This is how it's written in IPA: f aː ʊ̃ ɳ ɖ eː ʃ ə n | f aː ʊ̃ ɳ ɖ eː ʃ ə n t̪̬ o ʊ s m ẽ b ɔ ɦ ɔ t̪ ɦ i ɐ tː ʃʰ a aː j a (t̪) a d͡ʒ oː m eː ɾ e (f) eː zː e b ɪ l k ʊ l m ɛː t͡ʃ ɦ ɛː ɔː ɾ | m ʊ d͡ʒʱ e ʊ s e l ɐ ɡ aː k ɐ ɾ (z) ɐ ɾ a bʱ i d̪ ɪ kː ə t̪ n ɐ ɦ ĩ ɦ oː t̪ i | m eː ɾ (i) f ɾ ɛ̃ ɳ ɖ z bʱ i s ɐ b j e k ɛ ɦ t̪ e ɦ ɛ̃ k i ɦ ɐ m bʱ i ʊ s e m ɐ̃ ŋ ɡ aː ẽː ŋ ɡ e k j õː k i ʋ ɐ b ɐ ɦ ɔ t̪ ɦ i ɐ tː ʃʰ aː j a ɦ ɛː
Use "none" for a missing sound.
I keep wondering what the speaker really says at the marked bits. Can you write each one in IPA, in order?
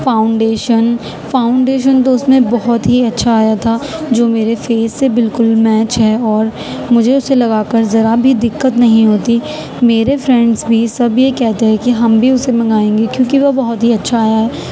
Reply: t̪ʰ, f, z, e

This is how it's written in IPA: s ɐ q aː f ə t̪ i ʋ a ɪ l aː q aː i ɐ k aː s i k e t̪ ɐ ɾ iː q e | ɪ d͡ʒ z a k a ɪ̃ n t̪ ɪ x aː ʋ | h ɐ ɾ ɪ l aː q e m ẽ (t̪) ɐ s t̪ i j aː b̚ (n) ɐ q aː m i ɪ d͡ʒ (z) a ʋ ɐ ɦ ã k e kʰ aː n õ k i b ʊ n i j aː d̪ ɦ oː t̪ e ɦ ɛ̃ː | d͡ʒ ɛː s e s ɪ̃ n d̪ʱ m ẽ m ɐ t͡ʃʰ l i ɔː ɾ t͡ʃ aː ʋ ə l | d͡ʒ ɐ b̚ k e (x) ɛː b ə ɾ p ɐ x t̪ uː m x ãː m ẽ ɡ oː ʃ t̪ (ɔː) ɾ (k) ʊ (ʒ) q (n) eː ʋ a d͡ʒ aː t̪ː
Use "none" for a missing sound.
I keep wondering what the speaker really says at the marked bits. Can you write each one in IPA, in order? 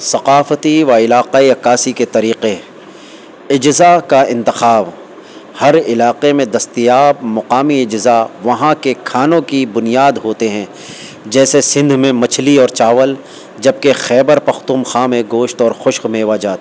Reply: d̪, m, z, x, ɔː, x, ʃ, m

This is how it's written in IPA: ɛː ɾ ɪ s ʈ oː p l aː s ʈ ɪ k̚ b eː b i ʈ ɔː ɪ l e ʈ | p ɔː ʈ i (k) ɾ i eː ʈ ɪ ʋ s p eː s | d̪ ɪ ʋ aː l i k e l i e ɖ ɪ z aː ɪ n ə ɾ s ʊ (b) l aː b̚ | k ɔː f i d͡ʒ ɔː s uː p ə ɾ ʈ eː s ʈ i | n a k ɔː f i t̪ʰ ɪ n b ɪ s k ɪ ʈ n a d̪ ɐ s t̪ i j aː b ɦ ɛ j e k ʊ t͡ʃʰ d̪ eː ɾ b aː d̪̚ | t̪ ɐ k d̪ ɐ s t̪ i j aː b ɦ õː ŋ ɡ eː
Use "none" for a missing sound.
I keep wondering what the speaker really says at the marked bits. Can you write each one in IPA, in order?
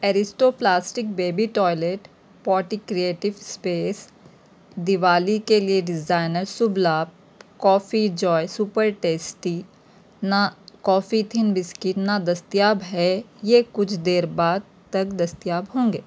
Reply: k, b

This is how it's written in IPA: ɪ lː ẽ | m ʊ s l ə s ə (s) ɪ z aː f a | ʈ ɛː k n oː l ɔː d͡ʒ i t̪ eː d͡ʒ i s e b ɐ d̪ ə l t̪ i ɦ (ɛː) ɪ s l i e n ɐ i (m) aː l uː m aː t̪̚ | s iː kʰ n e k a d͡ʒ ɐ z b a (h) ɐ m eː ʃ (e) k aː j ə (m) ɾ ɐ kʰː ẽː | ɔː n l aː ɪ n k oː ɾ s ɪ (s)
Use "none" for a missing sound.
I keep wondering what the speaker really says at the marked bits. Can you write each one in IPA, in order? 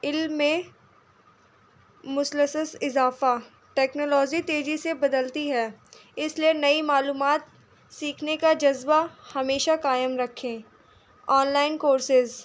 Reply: s, ɛː, m, h, a, m, z

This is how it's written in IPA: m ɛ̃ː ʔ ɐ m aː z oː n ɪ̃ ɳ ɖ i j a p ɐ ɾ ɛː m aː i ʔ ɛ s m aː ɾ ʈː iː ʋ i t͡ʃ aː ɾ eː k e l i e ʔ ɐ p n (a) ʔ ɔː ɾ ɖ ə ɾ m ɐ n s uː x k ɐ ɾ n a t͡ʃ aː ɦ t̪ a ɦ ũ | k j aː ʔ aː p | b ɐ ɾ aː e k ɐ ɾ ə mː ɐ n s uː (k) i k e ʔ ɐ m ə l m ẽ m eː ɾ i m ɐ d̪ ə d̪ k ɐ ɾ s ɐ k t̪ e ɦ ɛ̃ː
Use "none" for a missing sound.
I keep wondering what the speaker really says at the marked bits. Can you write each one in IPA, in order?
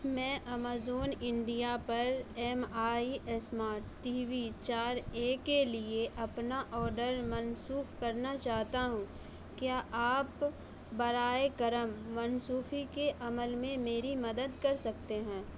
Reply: a, x

